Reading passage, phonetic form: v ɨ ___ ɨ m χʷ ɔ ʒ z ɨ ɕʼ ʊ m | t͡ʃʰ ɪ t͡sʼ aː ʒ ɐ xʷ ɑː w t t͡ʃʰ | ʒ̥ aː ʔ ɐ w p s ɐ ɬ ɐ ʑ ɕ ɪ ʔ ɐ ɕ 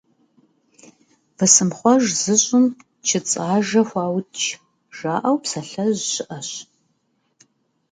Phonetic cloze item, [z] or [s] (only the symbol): s